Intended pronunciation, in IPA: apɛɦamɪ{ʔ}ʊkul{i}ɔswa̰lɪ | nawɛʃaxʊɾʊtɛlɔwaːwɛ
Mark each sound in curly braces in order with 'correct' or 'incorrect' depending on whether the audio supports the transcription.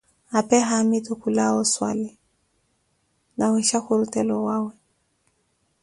incorrect: t, incorrect: a

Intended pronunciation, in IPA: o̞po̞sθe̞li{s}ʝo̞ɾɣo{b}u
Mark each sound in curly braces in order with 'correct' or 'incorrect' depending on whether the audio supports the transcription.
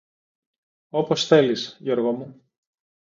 correct, incorrect: m

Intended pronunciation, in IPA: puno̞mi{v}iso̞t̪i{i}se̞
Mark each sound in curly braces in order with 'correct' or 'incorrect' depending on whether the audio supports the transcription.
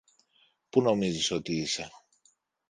incorrect: z, correct

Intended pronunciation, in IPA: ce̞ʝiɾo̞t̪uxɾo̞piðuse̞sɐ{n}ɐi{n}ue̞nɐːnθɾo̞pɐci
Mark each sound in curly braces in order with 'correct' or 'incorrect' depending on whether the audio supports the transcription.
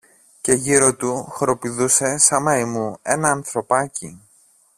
incorrect: m, incorrect: m

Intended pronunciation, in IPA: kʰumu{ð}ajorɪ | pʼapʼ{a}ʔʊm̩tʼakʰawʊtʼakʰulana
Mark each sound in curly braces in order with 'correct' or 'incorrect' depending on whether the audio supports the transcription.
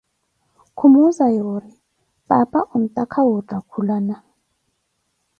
incorrect: z, correct

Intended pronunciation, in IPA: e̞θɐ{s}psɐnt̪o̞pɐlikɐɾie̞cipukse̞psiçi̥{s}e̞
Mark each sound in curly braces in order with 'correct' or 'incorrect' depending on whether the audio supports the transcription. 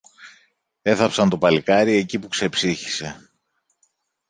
incorrect: none, correct

